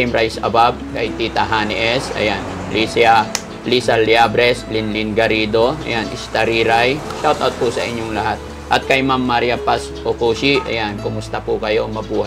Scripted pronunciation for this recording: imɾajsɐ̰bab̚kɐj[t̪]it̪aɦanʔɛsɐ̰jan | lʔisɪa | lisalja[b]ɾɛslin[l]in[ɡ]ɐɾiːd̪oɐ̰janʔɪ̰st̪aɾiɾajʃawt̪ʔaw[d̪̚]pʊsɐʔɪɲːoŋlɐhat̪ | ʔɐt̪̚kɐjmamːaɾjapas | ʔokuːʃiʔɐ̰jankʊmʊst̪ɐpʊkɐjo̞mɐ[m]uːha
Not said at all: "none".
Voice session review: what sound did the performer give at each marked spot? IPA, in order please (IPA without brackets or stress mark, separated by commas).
t̪, b, l, ɡ, t̪̚, b